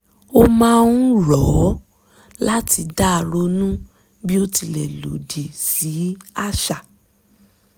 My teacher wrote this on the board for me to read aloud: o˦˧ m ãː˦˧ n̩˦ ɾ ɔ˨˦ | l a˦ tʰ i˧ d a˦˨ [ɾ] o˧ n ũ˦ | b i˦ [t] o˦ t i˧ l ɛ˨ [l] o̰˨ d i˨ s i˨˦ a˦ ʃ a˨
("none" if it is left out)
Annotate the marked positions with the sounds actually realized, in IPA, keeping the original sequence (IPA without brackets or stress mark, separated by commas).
ɾ, none, l